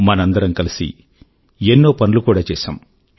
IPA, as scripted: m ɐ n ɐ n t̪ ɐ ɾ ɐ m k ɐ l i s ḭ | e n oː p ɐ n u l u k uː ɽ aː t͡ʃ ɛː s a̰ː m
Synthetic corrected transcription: m ɐ n ɐ n d̪ ɐ ɾ ɐ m k ɐ l i s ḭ | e nː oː p ɐ n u l u k uː ɽ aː t͡ʃ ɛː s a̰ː m